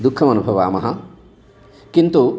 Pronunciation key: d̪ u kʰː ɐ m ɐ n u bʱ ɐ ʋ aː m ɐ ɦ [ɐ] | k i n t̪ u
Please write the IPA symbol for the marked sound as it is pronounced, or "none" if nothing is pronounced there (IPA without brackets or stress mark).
ɐ